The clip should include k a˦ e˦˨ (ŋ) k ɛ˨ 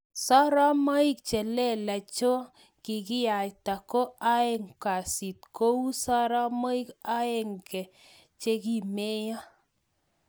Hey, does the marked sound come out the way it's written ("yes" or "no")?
yes